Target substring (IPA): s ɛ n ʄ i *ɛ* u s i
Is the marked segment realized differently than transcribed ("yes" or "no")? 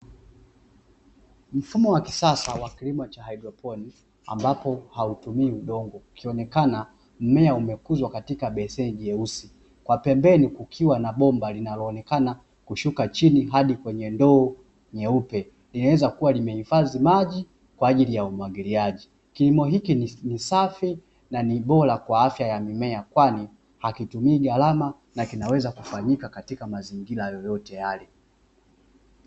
no